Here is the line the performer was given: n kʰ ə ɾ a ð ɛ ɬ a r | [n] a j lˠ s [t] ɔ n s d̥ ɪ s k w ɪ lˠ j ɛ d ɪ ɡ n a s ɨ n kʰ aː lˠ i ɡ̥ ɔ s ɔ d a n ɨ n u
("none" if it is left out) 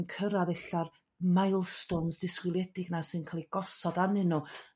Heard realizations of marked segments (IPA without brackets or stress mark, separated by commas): m, t